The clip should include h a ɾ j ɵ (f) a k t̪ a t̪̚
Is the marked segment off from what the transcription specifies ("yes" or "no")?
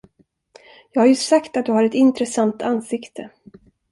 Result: yes